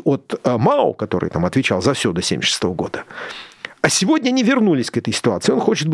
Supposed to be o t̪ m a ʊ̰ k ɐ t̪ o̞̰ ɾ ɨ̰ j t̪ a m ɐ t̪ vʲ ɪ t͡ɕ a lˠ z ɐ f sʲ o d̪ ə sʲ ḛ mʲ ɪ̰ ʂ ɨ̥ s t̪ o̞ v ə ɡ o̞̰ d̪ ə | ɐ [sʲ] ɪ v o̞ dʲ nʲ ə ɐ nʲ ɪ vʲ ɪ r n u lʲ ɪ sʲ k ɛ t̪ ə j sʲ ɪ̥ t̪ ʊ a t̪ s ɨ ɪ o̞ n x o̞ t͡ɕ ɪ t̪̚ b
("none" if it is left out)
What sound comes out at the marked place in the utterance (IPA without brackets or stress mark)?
sʲ